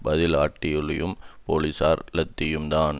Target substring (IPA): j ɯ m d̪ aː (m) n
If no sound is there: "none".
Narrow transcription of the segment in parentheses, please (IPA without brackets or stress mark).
none